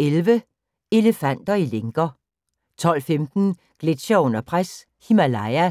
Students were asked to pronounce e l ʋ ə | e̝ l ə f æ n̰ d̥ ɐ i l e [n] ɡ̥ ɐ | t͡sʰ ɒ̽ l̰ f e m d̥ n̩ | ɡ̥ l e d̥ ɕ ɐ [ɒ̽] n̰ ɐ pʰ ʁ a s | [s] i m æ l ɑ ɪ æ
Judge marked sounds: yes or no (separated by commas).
no, no, no